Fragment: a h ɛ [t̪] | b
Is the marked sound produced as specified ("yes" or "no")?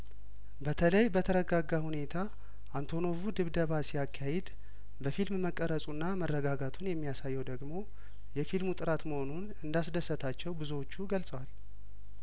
no